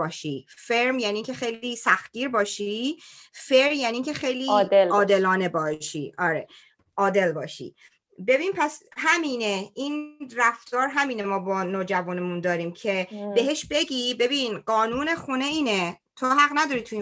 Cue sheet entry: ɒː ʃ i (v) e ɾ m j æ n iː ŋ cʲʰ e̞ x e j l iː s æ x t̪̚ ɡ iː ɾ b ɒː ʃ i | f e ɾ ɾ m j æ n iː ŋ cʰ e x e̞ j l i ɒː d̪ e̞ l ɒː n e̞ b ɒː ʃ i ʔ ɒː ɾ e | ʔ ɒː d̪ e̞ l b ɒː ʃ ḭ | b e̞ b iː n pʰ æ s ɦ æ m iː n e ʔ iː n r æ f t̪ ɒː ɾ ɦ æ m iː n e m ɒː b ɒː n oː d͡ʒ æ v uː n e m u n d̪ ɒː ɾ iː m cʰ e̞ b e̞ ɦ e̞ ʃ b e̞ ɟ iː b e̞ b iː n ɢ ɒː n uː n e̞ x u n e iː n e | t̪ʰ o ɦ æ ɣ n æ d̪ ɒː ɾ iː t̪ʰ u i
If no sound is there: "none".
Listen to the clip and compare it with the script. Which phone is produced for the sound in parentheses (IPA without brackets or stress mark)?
f